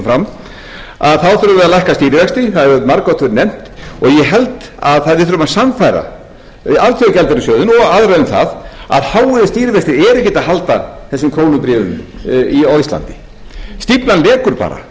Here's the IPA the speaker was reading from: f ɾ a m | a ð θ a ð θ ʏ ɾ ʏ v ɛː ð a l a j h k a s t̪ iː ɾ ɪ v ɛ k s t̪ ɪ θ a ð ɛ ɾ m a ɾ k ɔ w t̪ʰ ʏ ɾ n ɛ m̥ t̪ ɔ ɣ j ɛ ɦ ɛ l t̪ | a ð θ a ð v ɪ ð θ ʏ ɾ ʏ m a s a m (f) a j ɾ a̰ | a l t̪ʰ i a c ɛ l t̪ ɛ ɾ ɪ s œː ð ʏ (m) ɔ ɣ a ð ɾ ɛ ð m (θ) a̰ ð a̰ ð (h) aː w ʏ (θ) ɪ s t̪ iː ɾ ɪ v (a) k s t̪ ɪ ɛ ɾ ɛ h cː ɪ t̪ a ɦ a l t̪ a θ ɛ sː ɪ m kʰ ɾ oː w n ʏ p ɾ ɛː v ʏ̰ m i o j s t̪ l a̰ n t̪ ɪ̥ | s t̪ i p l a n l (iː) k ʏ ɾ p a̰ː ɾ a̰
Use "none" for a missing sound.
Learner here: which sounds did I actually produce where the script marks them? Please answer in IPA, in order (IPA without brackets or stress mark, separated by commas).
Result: f, n, θ, h, ð, ɛ, ɛː